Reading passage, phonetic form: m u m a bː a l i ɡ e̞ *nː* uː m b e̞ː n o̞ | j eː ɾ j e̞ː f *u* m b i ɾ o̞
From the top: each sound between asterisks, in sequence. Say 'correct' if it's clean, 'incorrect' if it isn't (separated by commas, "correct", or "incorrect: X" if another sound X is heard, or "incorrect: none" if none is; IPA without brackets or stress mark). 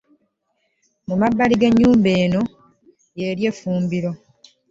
incorrect: ɲː, incorrect: uː